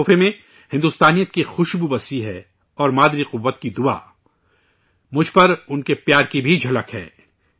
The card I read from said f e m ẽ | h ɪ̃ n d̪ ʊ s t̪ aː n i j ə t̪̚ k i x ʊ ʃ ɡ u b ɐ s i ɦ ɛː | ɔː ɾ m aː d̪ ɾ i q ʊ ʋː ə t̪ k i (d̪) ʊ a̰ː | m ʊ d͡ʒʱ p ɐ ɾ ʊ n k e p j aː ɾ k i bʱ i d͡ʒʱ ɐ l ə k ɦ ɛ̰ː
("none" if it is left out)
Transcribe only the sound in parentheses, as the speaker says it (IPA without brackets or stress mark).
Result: d̪